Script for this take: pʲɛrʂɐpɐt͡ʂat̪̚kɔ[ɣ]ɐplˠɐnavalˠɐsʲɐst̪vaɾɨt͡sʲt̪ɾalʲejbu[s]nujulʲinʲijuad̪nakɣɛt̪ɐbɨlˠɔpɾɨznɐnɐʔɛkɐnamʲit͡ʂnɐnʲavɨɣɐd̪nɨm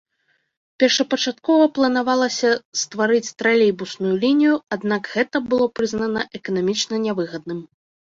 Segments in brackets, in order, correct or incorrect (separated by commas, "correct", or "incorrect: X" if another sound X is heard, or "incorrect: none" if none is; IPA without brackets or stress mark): incorrect: v, correct